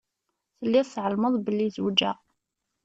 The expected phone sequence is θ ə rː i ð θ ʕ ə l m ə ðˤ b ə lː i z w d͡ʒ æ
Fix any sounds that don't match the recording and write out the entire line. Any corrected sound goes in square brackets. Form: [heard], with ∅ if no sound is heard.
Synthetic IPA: θ ə [lː] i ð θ ʕ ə l m ə ðˤ b ə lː i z w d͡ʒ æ